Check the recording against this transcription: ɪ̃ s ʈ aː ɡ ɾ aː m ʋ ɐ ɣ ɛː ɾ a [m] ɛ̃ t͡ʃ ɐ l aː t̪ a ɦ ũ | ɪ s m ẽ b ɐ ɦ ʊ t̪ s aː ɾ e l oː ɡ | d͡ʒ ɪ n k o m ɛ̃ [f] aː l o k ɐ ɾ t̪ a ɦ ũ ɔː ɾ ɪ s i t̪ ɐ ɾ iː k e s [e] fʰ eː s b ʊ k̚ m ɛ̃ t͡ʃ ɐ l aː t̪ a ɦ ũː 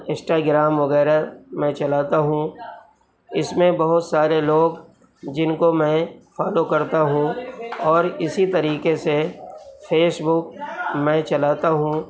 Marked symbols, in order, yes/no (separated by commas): yes, yes, yes